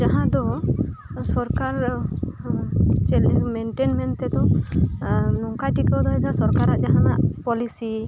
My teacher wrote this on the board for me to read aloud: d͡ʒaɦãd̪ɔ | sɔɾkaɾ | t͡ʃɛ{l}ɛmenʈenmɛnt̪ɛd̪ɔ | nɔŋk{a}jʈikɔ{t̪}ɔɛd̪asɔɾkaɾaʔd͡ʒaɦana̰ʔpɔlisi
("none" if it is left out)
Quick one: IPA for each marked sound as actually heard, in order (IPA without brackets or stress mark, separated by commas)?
l, a, d̪